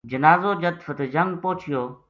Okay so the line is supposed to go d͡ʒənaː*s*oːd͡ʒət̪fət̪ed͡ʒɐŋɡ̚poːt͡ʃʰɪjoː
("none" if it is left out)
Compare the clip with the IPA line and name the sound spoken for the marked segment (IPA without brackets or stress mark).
z